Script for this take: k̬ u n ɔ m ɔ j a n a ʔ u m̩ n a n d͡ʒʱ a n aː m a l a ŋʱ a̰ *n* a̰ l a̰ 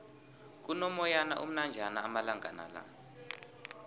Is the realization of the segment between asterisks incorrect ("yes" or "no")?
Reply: no